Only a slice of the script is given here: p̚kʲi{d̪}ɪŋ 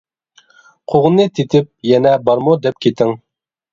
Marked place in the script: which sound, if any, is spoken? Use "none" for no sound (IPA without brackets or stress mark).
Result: t̪